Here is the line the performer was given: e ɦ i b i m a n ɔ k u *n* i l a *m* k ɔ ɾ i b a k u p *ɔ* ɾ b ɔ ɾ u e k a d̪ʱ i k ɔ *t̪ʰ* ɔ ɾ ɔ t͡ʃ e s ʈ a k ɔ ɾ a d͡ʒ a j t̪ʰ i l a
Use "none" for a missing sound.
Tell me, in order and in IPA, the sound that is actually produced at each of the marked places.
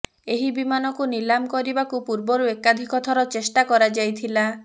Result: n, m, u, t̪ʰ

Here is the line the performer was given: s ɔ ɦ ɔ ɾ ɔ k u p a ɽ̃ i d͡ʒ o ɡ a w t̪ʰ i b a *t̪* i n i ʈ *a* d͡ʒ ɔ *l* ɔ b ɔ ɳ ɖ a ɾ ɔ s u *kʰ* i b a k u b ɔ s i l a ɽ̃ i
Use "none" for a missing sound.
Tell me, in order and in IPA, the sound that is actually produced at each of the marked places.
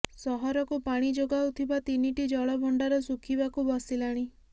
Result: t̪, i, ɭ, kʰ

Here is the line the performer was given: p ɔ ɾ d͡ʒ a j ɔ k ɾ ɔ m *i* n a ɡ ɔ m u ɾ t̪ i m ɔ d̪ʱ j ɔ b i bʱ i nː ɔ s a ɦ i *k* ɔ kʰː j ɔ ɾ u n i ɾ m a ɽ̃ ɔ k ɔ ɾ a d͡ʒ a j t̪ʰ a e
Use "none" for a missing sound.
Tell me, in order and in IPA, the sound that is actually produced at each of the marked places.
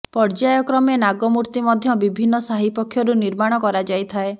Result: e, p

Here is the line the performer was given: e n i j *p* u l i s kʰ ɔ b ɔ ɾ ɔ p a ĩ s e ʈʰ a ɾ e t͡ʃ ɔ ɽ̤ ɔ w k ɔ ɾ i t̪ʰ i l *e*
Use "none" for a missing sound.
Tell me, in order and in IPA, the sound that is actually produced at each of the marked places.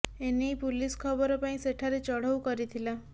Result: p, a

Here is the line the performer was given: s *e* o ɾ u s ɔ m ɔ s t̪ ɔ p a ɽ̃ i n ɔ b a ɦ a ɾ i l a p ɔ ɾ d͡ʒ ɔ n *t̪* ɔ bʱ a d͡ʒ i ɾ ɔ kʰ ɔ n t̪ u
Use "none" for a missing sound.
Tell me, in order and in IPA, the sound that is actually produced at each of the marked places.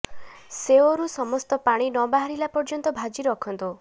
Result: e, t̪

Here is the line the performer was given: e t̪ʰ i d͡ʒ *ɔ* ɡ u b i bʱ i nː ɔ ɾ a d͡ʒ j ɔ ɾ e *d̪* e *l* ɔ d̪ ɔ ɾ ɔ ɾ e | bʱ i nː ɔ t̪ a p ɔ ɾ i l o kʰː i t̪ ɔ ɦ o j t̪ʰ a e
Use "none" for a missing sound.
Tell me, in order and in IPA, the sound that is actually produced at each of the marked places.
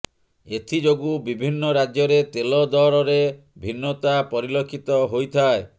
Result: o, t̪, l

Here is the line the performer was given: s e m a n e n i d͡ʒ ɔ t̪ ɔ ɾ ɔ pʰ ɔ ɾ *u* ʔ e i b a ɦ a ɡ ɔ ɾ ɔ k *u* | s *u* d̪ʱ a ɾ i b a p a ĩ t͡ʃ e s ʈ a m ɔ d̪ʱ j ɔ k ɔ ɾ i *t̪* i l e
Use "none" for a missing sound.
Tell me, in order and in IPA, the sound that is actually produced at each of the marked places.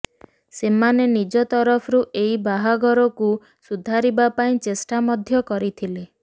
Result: u, u, u, t̪ʰ

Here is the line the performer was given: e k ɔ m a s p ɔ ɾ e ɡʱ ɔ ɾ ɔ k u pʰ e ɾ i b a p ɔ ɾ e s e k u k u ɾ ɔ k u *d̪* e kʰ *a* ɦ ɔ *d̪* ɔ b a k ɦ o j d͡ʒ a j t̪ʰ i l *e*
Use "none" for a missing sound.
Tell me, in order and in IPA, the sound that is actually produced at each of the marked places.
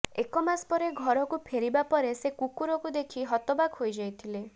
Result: d̪, i, t̪, e

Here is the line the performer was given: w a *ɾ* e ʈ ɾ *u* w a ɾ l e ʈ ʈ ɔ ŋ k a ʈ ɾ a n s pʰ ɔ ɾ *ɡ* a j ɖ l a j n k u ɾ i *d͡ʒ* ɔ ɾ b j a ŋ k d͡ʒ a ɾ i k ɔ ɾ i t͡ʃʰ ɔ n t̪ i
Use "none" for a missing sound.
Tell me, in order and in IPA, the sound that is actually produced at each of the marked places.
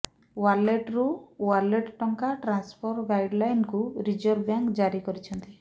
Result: l, u, ɡ, d͡ʒ

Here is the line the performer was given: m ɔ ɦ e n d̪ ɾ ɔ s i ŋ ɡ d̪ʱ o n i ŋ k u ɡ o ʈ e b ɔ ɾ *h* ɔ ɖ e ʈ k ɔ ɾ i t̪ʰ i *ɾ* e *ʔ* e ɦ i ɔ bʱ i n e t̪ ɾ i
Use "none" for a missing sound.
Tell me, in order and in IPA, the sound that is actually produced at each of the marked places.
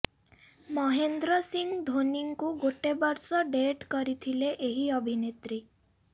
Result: s, l, ʔ

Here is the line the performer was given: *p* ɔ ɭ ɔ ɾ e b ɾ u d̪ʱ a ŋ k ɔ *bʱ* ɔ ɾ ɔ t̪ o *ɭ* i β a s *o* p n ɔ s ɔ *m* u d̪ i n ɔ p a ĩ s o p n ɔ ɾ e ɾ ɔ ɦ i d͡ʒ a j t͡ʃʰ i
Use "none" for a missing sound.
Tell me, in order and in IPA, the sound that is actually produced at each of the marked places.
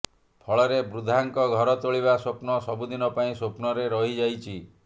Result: pʰ, ɡʱ, ɭ, o, b

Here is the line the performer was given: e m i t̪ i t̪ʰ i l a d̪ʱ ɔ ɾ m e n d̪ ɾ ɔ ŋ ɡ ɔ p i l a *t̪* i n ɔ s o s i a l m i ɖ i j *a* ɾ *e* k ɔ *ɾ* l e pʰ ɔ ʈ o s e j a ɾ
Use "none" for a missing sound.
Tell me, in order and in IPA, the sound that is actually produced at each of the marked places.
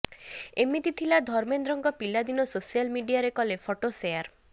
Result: d̪, a, e, none

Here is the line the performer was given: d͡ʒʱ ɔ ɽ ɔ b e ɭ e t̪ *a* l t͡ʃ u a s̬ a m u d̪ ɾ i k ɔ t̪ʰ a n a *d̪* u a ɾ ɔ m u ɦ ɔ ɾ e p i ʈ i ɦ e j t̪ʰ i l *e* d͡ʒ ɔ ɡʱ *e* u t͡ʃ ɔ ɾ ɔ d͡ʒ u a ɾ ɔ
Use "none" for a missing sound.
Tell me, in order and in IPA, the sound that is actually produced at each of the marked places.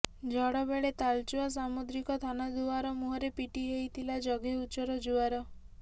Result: a, d̪, a, e

